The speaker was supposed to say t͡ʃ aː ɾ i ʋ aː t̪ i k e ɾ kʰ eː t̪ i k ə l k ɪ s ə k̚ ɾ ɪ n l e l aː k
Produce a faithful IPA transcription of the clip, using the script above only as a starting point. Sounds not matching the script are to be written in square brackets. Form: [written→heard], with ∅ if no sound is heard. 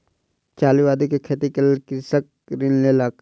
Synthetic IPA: t͡ʃ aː [ɾ→l] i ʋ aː [t̪→d̪] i k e [ɾ→∅] kʰ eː t̪ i k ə l k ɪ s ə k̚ ɾ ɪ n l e l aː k